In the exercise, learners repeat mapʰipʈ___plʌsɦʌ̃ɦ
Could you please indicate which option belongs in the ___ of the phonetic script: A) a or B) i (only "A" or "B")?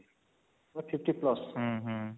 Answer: B